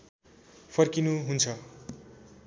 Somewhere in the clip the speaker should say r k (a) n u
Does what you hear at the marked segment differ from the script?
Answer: yes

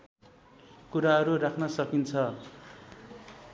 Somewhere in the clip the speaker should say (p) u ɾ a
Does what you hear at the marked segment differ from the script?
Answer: yes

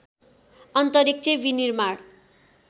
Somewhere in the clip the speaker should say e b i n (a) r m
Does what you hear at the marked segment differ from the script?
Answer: yes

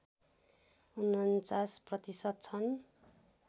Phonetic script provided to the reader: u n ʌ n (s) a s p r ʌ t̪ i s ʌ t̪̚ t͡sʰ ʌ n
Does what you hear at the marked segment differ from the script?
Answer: yes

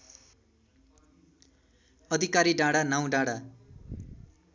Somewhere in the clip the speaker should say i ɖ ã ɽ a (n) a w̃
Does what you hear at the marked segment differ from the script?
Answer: no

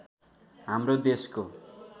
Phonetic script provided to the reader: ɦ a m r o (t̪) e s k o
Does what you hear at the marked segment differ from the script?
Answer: yes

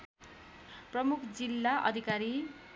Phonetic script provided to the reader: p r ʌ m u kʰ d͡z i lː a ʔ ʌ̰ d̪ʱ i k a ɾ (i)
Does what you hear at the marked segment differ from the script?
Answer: no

